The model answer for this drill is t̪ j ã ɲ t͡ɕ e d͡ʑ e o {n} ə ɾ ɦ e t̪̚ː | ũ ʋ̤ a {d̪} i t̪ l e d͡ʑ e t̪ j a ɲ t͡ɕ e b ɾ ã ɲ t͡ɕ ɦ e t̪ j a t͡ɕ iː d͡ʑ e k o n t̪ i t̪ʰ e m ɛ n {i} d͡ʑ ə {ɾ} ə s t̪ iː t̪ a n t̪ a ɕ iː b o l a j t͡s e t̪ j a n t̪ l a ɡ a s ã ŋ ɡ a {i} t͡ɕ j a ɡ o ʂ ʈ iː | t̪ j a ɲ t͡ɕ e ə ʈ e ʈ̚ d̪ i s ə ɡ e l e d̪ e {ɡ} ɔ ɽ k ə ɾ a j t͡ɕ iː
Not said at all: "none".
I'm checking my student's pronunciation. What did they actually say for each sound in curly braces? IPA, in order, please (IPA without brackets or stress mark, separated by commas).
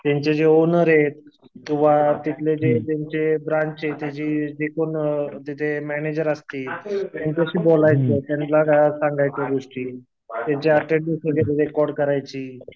n, t̪, e, ɾ, j, k